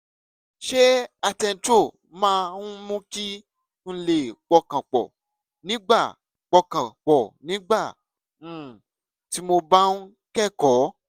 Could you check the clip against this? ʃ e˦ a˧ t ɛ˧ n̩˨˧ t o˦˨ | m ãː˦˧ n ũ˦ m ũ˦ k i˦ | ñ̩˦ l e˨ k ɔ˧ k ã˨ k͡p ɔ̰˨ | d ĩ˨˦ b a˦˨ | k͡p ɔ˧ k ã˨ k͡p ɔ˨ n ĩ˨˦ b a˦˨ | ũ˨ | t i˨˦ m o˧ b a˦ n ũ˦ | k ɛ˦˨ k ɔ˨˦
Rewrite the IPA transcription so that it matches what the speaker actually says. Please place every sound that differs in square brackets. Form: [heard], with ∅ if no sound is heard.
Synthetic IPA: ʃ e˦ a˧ t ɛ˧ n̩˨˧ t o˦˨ | m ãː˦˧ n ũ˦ m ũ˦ k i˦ | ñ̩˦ l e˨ [k͡p] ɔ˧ k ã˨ k͡p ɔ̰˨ | [n] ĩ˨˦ [ɡ͡b] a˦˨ | k͡p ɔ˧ k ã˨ k͡p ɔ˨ n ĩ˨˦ [ɡ͡b] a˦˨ | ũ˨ | t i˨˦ m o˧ b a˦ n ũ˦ | k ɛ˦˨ k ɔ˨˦